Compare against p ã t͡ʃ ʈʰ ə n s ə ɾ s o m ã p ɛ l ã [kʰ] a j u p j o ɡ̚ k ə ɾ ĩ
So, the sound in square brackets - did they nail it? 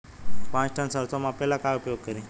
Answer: no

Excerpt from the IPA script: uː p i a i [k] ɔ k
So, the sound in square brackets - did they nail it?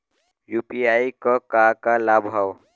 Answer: yes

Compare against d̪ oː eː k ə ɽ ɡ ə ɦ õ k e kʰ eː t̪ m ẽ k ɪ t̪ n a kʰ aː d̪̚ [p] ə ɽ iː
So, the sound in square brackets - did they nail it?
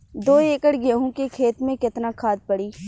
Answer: yes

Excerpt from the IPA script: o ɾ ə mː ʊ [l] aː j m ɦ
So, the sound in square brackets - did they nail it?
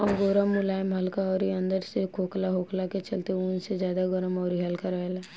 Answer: yes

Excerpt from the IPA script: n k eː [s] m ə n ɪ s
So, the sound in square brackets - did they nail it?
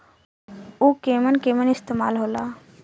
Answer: no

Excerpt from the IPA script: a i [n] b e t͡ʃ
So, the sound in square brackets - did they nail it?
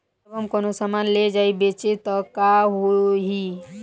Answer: no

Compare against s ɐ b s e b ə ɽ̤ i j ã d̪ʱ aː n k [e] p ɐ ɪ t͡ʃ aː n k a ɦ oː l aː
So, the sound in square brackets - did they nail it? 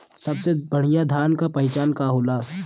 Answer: no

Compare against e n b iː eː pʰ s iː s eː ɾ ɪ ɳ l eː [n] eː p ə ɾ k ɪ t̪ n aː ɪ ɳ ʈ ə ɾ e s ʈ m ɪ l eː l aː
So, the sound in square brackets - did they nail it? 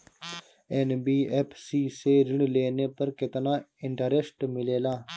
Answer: yes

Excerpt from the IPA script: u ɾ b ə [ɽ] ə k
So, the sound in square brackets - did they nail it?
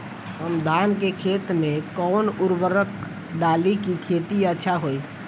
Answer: no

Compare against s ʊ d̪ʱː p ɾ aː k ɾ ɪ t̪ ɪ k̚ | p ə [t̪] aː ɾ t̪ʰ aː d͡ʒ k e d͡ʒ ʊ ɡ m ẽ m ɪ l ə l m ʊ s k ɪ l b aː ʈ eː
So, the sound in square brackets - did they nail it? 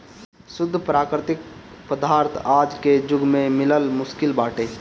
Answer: no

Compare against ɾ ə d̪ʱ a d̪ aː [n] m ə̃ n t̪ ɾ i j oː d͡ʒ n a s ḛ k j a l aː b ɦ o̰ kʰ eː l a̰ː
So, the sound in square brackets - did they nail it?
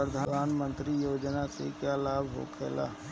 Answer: yes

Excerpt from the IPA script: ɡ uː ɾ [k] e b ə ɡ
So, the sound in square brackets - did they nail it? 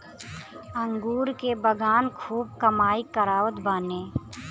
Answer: yes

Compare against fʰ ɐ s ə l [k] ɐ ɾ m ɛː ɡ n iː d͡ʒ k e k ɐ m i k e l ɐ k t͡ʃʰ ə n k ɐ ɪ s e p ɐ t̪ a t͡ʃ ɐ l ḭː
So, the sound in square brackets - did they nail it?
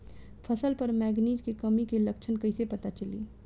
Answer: no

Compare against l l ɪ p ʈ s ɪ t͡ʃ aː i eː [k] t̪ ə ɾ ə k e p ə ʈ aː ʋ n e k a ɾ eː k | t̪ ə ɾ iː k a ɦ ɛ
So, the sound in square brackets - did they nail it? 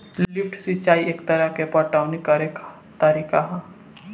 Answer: yes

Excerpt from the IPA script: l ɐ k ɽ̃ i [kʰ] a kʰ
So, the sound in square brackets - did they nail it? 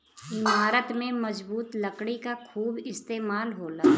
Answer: no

